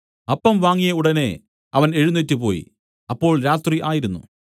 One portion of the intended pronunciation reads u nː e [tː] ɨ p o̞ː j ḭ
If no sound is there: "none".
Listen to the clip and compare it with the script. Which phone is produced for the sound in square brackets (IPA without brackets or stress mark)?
tː